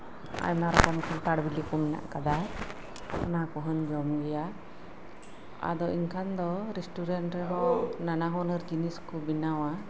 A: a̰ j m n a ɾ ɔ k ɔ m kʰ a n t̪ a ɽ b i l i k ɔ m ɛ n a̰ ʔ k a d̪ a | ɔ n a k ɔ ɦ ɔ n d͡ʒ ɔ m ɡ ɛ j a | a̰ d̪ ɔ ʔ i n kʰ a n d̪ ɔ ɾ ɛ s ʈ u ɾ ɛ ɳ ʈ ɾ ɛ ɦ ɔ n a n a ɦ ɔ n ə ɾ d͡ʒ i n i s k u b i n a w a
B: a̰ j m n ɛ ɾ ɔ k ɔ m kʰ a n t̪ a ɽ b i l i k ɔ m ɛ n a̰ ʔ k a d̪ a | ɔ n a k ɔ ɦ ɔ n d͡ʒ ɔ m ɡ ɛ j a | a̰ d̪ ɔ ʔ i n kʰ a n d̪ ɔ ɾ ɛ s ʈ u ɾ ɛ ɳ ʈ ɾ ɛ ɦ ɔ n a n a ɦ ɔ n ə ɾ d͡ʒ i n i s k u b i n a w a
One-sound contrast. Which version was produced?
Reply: A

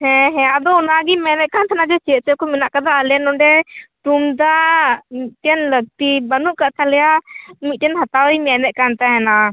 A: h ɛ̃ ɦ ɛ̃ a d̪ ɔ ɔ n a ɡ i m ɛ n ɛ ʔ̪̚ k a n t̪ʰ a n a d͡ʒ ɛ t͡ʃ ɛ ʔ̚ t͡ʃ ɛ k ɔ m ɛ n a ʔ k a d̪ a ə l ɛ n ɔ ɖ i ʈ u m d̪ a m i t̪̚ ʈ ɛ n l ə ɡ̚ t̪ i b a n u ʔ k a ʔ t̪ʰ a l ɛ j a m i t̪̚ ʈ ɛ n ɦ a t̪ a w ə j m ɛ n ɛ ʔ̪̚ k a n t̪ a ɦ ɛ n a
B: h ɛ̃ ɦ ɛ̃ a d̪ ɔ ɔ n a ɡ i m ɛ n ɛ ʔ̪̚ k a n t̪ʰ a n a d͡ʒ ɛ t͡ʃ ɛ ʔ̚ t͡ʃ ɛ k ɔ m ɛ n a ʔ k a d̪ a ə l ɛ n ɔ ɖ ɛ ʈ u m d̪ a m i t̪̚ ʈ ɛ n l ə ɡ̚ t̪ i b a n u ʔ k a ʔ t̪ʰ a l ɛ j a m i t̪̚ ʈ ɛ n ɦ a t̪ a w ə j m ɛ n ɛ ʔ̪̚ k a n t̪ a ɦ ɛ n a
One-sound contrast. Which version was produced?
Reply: B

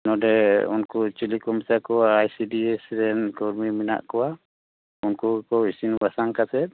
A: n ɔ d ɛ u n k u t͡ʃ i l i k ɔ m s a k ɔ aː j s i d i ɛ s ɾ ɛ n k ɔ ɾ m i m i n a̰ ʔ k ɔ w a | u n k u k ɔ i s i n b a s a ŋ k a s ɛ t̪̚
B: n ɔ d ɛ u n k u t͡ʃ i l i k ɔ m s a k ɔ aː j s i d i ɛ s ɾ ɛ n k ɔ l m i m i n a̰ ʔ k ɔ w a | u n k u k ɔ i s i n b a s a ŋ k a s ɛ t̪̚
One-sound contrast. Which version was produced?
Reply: A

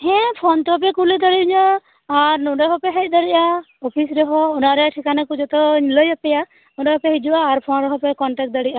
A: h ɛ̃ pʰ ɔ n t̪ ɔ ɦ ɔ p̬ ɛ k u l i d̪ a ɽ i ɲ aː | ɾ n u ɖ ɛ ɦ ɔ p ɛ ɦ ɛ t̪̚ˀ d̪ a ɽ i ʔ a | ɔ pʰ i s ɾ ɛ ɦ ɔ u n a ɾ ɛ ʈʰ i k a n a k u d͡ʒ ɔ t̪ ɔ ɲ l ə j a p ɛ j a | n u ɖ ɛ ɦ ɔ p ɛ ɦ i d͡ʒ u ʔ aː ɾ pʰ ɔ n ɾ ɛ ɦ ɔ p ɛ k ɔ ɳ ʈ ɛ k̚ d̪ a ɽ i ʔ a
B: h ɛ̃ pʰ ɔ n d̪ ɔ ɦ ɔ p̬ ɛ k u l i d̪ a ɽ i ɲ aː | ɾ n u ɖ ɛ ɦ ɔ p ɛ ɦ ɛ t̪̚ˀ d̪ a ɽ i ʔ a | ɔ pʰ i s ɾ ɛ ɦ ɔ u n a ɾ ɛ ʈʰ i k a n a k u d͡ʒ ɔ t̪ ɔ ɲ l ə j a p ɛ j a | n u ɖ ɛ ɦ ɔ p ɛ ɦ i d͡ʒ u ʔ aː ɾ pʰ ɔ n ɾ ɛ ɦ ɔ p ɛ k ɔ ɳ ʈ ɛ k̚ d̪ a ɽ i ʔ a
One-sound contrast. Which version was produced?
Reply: A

